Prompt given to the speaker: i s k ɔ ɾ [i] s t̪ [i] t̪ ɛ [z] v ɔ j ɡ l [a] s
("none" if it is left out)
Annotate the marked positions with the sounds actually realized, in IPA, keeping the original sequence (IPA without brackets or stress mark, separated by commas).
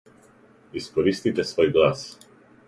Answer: i, i, s, a